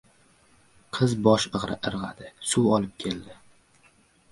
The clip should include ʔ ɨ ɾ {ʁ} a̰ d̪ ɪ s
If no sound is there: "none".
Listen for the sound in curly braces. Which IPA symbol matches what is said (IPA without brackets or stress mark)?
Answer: ʁ